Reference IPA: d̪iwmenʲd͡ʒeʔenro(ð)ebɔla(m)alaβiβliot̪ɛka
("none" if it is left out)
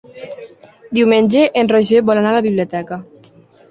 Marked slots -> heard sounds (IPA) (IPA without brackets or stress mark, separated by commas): ʒ, n